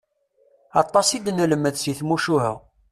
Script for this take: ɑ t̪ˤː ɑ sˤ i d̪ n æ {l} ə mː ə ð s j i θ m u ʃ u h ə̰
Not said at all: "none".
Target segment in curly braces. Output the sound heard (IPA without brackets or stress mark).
l